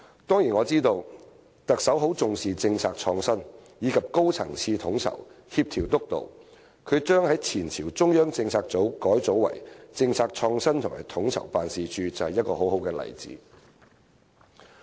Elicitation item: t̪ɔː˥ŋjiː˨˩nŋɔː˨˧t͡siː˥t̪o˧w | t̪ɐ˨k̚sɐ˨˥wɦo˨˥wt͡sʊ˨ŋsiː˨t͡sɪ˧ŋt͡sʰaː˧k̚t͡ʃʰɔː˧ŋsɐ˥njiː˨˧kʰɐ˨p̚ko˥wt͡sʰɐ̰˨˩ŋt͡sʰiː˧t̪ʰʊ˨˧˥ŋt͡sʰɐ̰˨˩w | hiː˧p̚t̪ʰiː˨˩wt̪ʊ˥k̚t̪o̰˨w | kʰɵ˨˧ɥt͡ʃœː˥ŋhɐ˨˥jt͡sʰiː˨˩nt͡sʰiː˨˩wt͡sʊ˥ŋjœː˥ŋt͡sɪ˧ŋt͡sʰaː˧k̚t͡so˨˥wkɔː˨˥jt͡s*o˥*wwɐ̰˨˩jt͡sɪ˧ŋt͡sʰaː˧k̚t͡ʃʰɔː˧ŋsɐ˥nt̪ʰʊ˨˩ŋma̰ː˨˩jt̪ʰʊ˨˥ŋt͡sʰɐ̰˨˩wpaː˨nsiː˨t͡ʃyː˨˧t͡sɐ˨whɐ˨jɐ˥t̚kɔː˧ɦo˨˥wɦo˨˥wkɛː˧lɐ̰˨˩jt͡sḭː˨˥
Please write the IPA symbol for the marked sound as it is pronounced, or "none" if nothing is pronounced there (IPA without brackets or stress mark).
o˨˥